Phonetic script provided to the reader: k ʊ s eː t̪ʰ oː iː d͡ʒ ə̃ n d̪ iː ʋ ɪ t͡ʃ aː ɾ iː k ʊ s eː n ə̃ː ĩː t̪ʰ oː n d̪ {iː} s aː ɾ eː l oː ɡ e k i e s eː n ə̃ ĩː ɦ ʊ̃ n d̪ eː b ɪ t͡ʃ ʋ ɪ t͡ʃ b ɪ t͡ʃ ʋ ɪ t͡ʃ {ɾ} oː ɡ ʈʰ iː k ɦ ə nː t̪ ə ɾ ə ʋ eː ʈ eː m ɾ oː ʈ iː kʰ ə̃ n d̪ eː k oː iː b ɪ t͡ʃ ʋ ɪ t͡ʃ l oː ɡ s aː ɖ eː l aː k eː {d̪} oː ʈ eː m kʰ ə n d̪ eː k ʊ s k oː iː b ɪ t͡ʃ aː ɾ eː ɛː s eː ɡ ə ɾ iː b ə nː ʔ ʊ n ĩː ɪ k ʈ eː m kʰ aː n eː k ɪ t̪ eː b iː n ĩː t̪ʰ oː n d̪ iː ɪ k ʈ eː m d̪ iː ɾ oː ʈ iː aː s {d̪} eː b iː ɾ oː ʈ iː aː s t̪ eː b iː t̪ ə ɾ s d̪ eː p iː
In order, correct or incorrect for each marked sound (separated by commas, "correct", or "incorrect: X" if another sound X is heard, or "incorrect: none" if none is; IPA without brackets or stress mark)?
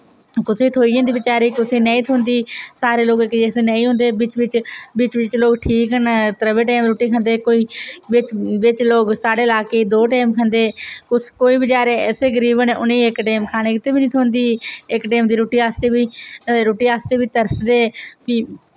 correct, incorrect: l, correct, incorrect: t̪